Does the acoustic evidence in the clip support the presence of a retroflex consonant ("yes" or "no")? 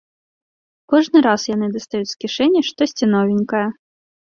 yes